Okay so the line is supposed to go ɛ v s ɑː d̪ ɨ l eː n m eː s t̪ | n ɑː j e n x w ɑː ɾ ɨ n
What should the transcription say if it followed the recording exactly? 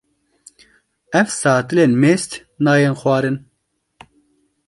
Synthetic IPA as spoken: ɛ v s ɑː t̪ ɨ l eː n m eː s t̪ | n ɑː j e n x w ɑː ɾ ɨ n